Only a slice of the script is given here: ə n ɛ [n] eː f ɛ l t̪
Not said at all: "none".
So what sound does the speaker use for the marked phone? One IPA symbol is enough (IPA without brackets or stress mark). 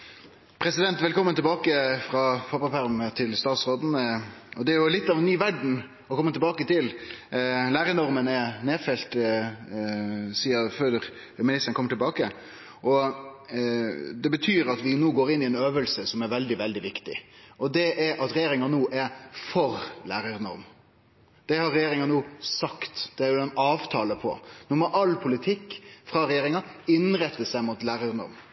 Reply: n